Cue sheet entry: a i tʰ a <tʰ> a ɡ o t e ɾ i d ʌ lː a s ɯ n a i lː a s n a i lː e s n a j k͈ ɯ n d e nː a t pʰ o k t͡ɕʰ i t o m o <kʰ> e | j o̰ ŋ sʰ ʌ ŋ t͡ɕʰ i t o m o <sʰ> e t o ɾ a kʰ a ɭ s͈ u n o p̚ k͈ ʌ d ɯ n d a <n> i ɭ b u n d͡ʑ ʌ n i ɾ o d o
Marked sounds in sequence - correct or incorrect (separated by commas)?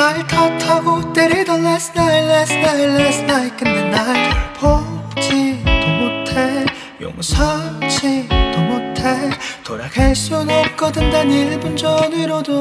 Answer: correct, incorrect, incorrect, correct